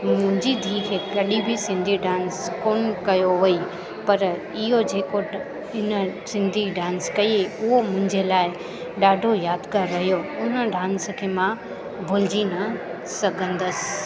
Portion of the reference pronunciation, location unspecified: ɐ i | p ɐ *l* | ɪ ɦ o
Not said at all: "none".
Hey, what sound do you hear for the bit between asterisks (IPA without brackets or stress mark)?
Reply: ɾ